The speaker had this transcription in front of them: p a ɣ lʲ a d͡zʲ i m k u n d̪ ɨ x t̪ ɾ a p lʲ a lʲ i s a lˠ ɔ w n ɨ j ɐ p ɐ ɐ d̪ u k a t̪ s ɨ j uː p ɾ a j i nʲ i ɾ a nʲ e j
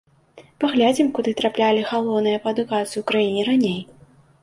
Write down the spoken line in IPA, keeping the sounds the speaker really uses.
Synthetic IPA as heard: p a ɣ lʲ a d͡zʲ i m k u d̪ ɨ t̪ ɾ a p lʲ a lʲ i x a lˠ ɔ w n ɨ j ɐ p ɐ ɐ d̪ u k a t̪ s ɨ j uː k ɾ a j i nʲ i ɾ a nʲ e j

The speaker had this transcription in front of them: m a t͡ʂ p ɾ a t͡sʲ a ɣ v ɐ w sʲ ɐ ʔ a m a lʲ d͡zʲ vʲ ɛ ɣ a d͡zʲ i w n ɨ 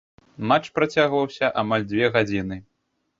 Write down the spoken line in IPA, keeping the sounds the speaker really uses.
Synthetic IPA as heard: m a t͡ʂ p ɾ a t͡sʲ a ɣ v ɐ w sʲ ɐ ʔ a m a lʲ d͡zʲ vʲ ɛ ɣ a d͡zʲ i n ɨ

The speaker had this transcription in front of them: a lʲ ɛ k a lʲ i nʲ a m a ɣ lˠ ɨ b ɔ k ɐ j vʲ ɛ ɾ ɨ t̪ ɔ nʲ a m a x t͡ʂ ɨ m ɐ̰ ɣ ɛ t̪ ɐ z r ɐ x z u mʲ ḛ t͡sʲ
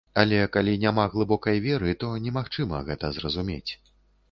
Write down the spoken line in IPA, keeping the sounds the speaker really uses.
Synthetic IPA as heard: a lʲ ɛ k a lʲ i nʲ a m a ɣ lˠ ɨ b ɔ k ɐ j vʲ ɛ ɾ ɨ t̪ ɔ nʲ ɛ m a x t͡ʂ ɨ m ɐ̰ ɣ ɛ t̪ ɐ z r ɐ z u mʲ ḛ t͡sʲ

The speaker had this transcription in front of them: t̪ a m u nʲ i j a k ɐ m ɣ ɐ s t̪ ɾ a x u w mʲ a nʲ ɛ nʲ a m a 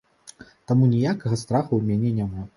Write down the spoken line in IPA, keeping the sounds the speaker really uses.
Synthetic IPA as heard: t̪ a m u nʲ i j a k ɐ ɣ ɐ s t̪ ɾ a x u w mʲ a nʲ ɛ nʲ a m a

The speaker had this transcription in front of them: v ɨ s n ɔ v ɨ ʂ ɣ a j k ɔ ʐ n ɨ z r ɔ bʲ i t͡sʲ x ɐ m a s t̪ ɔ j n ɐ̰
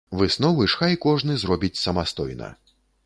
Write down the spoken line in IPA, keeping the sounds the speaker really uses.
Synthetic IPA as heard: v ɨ s n ɔ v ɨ ʂ x a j k ɔ ʐ n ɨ z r ɔ bʲ i t͡sʲ s ɐ m a s t̪ ɔ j n ɐ̰

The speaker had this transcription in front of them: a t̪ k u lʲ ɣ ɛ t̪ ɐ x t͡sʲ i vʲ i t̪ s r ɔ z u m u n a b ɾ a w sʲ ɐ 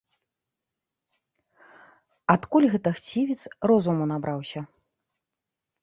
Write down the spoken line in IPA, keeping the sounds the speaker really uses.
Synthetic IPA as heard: a t̪ k u lʲ ɣ ɛ t̪ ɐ x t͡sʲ i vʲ i t̪ s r ɔ z u m u n a b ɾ a w sʲ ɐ

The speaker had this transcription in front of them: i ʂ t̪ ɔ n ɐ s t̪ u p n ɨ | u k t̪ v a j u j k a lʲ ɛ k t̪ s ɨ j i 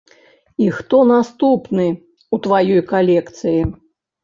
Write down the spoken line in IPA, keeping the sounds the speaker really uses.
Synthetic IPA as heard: i x t̪ ɔ n a s t̪ u p n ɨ | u t̪ v a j ɔ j k a lʲ ɛ k t̪ s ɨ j i

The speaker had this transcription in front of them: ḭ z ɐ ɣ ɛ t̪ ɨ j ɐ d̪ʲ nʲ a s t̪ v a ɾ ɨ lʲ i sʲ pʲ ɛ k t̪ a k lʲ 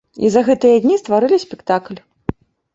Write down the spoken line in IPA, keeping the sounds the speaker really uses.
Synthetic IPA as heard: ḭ z ɐ ɣ ɛ t̪ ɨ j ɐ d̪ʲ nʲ i s t̪ v a ɾ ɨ lʲ i sʲ pʲ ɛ k t̪ a k lʲ

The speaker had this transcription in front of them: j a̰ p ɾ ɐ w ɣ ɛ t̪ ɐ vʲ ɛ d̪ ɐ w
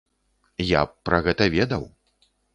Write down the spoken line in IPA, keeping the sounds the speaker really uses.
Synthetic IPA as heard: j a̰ p ɾ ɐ ɣ ɛ t̪ ɐ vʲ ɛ d̪ ɐ w

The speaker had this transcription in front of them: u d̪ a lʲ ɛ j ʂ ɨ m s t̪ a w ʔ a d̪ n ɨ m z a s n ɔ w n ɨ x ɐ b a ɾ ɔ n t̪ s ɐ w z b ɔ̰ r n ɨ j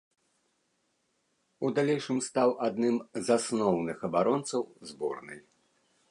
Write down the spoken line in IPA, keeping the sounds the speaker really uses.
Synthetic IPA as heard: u d̪ a lʲ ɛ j ʂ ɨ m s t̪ a w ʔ a d̪ n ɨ m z a s n ɔ w n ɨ x ɐ b a ɾ ɔ n t̪ s ɐ w z b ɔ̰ r n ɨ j

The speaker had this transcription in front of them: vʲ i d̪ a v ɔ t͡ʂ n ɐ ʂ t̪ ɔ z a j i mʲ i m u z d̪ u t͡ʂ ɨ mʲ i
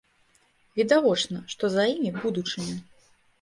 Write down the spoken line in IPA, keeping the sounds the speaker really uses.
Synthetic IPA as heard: vʲ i d̪ a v ɔ t͡ʂ n ɐ ʂ t̪ ɔ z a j i mʲ i b u d̪ u t͡ʂ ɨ mʲ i

